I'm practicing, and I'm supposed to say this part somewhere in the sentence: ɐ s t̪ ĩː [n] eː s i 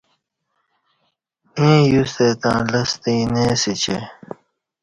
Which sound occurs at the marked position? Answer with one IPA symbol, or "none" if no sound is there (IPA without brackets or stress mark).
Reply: n